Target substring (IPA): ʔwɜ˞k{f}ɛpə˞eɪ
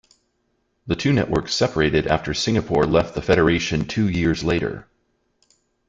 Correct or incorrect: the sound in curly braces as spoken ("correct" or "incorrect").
incorrect